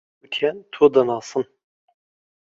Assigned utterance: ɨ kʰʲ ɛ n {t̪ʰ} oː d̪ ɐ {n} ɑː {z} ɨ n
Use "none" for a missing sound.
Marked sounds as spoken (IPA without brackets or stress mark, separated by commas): t̪ʰ, n, s